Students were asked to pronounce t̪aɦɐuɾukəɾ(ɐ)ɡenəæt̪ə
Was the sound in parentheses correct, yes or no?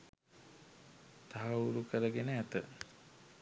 no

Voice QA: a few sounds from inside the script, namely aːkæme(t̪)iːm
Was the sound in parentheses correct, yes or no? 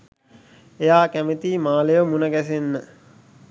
yes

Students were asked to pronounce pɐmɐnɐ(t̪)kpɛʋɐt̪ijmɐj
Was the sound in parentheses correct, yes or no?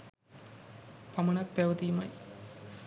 no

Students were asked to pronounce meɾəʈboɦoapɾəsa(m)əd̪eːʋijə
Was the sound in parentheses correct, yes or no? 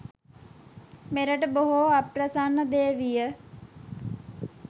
no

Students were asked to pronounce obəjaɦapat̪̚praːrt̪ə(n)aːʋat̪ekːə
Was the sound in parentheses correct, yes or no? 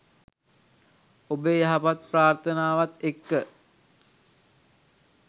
yes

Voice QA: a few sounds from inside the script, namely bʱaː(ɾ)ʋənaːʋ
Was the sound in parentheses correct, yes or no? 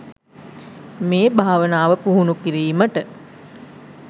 no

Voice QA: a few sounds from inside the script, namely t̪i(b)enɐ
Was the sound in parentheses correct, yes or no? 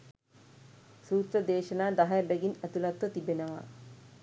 yes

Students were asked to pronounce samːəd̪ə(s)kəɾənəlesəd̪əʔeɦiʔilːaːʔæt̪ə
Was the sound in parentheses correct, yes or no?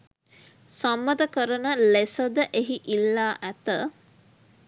no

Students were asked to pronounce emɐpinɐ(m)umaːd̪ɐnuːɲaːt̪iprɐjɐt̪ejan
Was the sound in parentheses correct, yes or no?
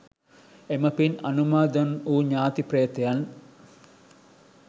no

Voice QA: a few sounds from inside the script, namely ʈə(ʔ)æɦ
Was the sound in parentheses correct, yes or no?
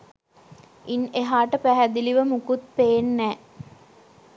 no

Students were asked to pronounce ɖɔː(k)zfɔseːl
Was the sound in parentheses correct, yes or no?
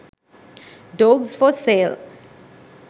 no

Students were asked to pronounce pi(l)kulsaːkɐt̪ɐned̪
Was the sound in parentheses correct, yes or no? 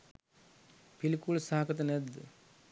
yes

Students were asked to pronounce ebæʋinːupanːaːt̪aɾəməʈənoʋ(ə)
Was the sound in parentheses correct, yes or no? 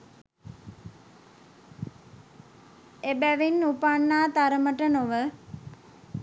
yes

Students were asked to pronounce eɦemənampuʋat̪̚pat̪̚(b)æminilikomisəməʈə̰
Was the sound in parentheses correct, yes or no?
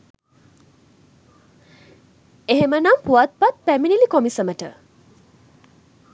no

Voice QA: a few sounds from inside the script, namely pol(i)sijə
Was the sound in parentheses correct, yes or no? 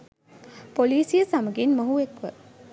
no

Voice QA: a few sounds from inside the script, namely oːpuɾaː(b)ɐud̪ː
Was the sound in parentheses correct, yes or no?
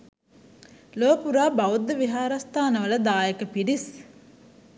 yes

